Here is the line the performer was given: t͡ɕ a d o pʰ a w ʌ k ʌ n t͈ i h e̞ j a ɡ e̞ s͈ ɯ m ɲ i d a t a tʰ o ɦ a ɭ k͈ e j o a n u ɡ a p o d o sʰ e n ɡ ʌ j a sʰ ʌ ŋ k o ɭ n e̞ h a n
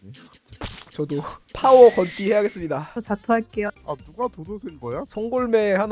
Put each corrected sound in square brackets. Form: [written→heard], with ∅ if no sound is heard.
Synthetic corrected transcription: t͡ɕ [a→ʌ] d o pʰ a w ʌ k ʌ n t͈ i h e̞ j a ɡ e̞ s͈ ɯ m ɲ i d a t a tʰ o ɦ a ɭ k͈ e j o a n u ɡ a [p→t] o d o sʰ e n ɡ ʌ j a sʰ ʌ ŋ [k→ɡ] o ɭ [n→m] e̞ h a n